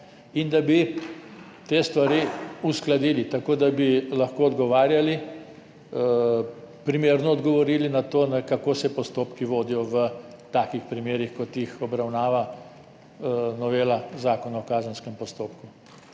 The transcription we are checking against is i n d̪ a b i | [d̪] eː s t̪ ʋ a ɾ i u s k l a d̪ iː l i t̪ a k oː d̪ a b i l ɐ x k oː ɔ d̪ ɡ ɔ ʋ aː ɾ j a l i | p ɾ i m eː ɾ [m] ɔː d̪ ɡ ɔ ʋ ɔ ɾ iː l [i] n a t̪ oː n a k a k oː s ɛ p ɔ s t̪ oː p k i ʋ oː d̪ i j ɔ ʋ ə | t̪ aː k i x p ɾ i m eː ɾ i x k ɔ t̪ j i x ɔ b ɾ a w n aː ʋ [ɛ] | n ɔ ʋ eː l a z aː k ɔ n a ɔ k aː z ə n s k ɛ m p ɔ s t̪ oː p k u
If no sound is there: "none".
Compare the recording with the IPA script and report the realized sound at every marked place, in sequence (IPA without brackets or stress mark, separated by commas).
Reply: t̪, n, i, a